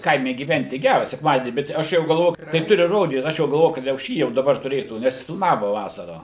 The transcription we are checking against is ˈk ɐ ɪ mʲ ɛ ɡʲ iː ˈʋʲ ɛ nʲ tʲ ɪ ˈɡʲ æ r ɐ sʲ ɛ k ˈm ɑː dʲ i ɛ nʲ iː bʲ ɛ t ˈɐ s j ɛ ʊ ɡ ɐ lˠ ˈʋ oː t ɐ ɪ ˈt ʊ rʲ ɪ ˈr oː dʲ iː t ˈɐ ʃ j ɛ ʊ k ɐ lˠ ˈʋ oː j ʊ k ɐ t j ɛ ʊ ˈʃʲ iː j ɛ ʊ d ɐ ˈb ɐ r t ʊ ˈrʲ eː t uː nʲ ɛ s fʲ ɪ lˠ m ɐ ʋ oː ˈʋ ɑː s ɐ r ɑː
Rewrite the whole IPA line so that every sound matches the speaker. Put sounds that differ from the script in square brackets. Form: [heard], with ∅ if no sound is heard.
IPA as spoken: ˈk ɐ ɪ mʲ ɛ ɡʲ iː ˈʋʲ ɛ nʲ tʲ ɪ ˈɡʲ æ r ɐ sʲ ɛ k ˈm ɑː dʲ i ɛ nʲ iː bʲ ɛ t ˈɐ [ʃ] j ɛ ʊ ɡ ɐ lˠ ˈʋ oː t ɐ ɪ ˈt ʊ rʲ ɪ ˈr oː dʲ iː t ˈɐ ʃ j ɛ ʊ [ɡ] ɐ lˠ ˈʋ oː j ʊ k ɐ t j ɛ ʊ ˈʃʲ iː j ɛ ʊ d ɐ ˈb ɐ r t ʊ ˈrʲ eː t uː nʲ ɛ s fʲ ɪ lˠ m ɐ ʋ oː ˈʋ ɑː s ɐ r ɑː